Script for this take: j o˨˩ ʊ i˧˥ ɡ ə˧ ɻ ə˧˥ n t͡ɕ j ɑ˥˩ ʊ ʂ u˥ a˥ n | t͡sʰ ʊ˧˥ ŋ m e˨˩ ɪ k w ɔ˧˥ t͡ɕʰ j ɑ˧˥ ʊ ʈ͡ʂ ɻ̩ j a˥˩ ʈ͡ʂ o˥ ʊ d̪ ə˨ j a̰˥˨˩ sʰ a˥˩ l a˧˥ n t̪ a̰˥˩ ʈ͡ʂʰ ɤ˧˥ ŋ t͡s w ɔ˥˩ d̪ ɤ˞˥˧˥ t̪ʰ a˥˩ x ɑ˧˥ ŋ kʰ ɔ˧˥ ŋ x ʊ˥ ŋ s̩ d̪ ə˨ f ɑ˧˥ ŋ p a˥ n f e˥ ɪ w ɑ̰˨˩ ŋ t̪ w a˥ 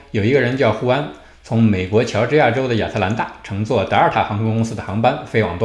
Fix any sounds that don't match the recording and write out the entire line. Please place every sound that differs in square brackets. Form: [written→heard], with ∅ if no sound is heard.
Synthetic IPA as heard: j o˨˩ ʊ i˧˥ ɡ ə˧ ɻ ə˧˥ n t͡ɕ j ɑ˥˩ ʊ [ʂ→x] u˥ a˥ n | t͡sʰ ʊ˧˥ ŋ m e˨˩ ɪ k w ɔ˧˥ t͡ɕʰ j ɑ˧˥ ʊ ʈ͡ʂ ɻ̩ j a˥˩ ʈ͡ʂ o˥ ʊ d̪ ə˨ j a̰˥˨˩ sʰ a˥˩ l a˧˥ n t̪ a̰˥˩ ʈ͡ʂʰ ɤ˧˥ ŋ t͡s w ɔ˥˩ [d̪→t̪] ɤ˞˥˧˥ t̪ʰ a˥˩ x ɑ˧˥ ŋ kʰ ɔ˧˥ ŋ [x→k] ʊ˥ ŋ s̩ d̪ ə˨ [f→x] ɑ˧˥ ŋ p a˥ n f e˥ ɪ w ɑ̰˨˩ ŋ t̪ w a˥